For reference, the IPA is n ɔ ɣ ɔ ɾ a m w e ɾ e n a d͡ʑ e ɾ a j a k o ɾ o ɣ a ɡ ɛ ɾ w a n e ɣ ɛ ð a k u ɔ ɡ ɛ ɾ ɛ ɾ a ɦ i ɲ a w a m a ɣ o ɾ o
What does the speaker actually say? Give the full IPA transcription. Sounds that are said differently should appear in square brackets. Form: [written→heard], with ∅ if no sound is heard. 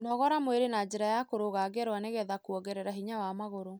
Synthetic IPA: n ɔ ɣ ɔ ɾ a m w e ɾ e n a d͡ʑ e ɾ a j a k o ɾ o ɣ a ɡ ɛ ɾ w a n e ɣ ɛ ð a k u ɔ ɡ ɛ ɾ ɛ ɾ a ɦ i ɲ a w a m a ɣ o ɾ o